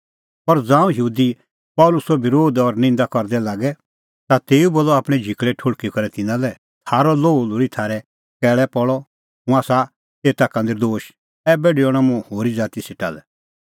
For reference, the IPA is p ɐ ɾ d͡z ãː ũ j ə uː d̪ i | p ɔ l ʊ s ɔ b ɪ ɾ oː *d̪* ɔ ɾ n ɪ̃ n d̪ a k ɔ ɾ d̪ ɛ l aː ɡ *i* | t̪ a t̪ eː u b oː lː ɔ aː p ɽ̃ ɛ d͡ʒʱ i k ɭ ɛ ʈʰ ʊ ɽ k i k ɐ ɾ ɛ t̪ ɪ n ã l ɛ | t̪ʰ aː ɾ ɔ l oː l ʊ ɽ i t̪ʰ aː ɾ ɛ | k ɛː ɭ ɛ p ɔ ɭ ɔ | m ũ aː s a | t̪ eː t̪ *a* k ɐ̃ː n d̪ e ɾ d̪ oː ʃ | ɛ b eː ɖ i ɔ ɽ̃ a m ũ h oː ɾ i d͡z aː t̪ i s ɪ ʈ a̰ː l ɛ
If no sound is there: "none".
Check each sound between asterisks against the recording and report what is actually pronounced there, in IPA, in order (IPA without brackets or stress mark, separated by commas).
d̪, ɛ, a